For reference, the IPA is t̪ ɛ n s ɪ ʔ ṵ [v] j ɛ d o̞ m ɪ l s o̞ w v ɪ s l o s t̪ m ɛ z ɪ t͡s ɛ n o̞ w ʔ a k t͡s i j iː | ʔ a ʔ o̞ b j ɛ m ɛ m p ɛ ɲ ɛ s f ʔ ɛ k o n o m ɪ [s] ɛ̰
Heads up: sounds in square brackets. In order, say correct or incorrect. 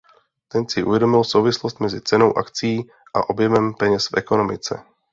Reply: correct, incorrect: t͡s

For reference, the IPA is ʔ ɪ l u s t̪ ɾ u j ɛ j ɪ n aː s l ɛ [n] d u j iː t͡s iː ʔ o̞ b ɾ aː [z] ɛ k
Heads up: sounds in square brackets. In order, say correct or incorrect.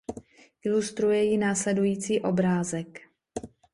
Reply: incorrect: none, correct

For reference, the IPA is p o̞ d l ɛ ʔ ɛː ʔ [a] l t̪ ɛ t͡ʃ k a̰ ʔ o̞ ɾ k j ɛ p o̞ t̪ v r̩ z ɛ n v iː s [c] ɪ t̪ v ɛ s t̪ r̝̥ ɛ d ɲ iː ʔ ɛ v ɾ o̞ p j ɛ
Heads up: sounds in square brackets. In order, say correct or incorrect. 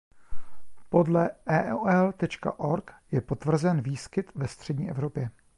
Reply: incorrect: ɛ, incorrect: k

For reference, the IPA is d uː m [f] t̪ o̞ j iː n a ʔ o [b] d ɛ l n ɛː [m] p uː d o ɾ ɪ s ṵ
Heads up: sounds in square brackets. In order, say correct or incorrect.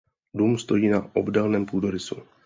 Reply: incorrect: s, correct, correct

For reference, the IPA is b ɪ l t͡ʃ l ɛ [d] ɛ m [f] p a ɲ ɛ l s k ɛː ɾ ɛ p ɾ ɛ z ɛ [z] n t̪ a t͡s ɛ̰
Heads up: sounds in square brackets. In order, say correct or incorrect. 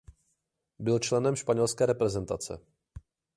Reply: incorrect: n, incorrect: ʃ, incorrect: none

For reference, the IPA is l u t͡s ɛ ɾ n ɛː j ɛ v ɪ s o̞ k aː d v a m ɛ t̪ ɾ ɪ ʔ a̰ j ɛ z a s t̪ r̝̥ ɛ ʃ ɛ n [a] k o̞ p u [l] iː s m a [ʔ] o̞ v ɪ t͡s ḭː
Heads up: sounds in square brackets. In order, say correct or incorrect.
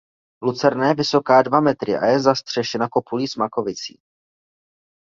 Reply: correct, correct, incorrect: k

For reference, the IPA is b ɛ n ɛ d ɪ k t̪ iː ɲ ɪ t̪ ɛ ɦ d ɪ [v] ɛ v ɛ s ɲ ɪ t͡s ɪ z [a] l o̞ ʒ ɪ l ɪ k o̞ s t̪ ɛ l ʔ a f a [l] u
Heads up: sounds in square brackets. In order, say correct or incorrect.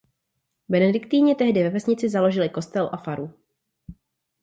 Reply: correct, correct, incorrect: ɾ

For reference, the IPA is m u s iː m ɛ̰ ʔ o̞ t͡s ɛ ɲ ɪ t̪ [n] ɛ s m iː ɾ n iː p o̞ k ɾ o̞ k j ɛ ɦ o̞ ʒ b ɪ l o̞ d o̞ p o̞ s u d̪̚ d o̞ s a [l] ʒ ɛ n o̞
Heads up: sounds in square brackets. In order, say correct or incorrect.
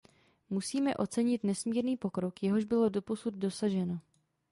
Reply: correct, incorrect: none

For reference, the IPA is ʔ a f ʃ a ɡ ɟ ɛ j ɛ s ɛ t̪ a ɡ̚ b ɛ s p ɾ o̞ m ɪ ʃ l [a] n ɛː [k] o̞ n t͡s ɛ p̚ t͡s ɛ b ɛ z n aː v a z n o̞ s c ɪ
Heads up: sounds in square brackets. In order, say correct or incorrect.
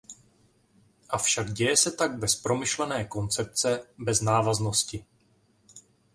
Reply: incorrect: ɛ, correct

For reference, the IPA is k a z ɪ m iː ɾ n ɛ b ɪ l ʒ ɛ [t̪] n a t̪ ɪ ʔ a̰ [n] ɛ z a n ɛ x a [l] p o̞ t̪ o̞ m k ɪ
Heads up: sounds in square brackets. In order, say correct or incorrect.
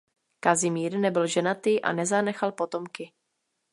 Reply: incorrect: none, correct, correct

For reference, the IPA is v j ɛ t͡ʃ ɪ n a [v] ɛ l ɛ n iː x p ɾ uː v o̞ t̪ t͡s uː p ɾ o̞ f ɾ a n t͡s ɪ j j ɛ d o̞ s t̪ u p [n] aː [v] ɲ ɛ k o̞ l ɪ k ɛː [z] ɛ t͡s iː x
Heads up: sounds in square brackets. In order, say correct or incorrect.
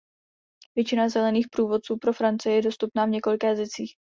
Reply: incorrect: z, correct, correct, correct

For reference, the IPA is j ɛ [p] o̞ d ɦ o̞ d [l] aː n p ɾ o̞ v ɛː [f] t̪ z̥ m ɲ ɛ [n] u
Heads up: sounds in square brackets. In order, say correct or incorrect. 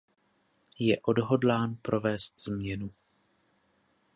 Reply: incorrect: ʔ, correct, incorrect: s, correct

